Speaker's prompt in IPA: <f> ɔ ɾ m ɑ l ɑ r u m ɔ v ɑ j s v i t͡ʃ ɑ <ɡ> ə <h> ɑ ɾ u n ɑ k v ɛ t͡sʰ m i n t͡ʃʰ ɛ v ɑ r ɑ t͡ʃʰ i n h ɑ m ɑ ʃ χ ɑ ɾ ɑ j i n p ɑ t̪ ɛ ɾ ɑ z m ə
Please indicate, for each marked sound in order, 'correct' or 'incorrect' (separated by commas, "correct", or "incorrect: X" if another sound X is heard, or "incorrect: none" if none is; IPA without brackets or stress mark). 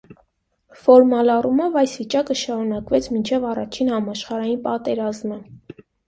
correct, incorrect: k, incorrect: ʃ